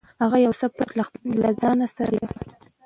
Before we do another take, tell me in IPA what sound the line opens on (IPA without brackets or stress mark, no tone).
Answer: h